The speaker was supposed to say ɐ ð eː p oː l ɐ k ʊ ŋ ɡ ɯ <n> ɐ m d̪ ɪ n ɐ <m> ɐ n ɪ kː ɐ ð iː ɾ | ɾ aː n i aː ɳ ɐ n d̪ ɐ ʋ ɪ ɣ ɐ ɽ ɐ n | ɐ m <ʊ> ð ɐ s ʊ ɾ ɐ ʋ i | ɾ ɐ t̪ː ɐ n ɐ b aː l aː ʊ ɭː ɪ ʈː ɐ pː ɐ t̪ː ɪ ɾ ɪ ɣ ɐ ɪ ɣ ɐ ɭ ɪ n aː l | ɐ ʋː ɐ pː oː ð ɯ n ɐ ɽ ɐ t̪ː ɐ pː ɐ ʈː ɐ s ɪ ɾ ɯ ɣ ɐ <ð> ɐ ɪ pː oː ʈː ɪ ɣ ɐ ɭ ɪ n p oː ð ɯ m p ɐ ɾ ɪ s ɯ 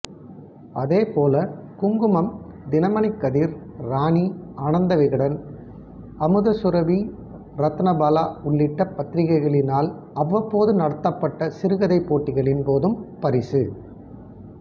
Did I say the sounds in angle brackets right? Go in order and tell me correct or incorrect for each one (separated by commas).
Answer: incorrect, correct, incorrect, correct